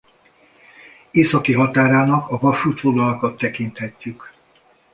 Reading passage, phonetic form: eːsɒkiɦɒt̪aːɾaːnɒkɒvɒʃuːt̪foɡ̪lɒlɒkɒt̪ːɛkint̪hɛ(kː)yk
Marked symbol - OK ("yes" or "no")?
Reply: no